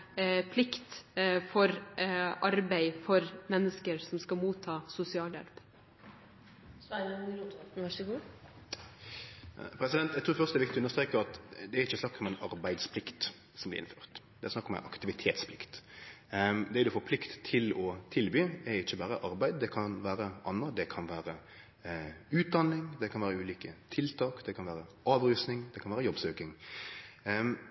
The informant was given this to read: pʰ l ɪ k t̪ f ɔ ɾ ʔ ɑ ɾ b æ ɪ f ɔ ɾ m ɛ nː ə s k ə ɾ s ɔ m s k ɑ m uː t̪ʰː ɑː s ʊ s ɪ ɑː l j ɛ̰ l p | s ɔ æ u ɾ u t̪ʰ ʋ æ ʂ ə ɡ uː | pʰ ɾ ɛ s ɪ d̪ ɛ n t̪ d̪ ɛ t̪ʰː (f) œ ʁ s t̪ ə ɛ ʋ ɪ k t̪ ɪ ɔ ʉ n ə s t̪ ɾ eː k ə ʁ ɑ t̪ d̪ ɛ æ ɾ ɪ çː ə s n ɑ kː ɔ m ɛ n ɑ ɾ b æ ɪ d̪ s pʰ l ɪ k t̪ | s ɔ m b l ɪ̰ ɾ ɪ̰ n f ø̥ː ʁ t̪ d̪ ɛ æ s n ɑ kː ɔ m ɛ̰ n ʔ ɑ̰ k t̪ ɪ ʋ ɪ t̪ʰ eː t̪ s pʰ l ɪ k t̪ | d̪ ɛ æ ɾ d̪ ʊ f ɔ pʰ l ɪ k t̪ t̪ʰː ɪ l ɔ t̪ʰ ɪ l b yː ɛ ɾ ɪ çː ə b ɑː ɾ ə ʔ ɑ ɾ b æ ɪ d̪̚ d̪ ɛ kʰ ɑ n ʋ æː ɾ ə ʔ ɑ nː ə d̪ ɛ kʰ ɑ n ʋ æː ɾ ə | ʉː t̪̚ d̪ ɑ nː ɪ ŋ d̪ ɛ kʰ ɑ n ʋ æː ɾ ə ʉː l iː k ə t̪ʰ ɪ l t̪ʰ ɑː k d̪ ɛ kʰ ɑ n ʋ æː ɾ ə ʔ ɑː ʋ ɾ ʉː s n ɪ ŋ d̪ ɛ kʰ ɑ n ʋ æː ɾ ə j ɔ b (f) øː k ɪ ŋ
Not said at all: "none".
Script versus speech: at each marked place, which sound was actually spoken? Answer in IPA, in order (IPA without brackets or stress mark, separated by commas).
f, s